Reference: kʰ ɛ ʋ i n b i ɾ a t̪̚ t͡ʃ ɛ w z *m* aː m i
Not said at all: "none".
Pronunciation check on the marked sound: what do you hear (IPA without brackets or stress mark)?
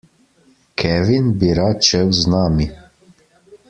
n